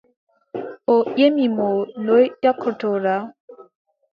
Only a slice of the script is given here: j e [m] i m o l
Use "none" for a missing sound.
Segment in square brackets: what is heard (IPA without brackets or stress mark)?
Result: m